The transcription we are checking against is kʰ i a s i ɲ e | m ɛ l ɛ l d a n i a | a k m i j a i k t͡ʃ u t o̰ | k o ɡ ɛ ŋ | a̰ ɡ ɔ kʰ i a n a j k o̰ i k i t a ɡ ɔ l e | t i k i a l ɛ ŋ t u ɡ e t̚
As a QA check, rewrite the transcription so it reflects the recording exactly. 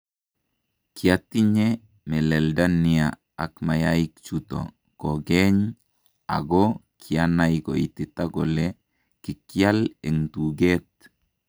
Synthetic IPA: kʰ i a t i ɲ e | m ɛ l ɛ l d a n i a | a k m a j a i k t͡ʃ u t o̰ | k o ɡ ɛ ɲ | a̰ ɡ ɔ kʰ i a n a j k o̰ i t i t a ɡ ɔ l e | k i k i a l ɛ ŋ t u ɡ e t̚